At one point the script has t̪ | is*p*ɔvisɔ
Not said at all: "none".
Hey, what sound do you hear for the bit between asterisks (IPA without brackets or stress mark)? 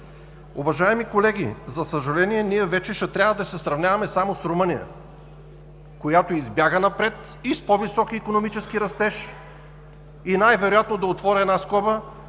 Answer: p